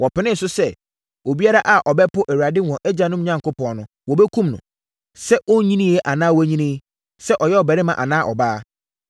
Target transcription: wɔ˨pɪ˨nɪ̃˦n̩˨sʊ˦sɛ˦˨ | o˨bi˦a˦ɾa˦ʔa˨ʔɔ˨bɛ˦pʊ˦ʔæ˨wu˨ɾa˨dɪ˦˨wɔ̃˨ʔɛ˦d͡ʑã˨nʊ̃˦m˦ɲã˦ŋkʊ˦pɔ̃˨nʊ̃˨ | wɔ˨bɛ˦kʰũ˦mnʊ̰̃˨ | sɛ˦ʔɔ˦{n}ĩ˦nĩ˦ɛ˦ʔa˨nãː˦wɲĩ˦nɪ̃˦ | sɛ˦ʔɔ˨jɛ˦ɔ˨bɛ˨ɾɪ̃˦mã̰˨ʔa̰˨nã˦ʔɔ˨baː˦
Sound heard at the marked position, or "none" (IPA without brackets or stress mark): ɲ